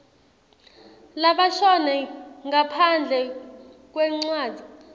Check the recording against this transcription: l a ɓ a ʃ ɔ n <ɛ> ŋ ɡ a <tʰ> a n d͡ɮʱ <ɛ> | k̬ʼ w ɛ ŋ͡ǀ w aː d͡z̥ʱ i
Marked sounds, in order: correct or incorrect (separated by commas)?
correct, incorrect, correct